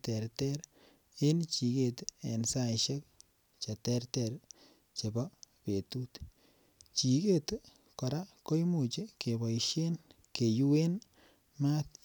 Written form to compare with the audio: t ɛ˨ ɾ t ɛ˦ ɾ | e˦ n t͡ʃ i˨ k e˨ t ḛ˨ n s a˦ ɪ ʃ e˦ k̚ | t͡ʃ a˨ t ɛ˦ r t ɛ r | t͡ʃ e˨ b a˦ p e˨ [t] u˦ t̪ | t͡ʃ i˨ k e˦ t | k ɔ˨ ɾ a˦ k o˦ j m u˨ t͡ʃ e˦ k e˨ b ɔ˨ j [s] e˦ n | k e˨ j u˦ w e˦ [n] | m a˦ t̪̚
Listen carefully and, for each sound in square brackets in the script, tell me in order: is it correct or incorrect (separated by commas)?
correct, incorrect, correct